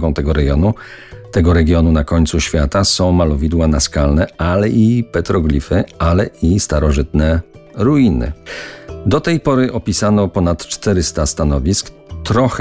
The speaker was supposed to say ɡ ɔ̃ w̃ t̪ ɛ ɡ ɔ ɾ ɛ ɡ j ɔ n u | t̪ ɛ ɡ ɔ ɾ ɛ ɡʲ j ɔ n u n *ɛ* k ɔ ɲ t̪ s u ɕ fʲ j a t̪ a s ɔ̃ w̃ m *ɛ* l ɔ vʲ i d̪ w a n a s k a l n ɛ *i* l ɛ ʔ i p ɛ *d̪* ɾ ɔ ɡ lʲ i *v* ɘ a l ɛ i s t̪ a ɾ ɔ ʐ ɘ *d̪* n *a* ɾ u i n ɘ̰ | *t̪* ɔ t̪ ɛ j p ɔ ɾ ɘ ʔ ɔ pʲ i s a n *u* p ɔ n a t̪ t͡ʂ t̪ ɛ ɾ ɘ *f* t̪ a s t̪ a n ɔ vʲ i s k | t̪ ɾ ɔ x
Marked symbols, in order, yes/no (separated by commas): no, no, no, no, no, no, no, no, no, no